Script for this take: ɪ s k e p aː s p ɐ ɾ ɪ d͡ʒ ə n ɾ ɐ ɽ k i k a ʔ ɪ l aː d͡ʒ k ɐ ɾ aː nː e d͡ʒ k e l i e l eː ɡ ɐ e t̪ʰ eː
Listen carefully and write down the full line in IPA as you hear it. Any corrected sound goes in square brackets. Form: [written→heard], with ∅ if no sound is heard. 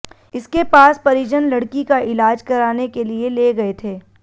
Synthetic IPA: ɪ s k e p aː s p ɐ ɾ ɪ d͡ʒ ə n [ɾ→l] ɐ ɽ k i k a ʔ ɪ l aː d͡ʒ k ɐ ɾ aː [nː→n] e [d͡ʒ→∅] k e l i e l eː ɡ ɐ e t̪ʰ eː

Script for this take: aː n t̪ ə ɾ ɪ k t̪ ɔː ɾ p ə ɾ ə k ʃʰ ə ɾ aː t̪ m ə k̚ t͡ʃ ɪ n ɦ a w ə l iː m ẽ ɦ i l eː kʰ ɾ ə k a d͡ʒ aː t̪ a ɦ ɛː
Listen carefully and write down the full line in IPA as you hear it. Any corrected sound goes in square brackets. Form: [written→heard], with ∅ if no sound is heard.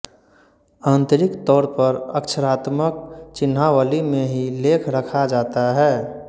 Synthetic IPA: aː n t̪ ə ɾ ɪ k t̪ ɔː ɾ p ə ɾ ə k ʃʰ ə ɾ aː t̪ m ə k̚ t͡ʃ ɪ n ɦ a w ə l [iː→i] m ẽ ɦ i l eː kʰ ɾ ə [k→kʰ] a d͡ʒ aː t̪ a ɦ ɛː

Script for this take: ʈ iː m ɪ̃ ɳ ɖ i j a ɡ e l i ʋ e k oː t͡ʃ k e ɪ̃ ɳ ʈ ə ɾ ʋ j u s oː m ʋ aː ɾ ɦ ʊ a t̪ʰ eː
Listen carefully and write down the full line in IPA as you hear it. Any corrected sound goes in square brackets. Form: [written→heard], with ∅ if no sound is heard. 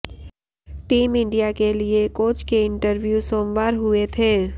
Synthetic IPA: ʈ iː m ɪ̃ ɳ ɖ i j a [ɡ→k] e l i [ʋ→∅] e k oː t͡ʃ k e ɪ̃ ɳ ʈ ə ɾ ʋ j u s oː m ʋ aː ɾ ɦ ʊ [a→e] t̪ʰ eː

